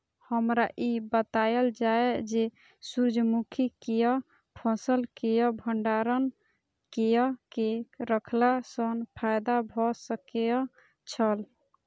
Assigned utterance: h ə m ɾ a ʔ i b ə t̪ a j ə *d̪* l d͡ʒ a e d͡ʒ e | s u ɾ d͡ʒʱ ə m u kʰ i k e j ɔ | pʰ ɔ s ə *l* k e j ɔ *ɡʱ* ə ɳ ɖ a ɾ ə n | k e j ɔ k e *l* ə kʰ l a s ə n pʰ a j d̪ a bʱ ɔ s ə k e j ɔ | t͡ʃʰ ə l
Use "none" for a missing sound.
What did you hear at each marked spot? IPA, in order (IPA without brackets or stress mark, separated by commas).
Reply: none, l, bʱ, ɾ